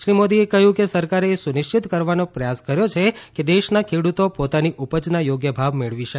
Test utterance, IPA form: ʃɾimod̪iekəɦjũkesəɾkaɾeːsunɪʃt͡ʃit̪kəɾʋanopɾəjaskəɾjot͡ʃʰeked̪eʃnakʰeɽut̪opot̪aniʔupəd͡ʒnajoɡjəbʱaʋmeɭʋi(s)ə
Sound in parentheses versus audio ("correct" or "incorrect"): incorrect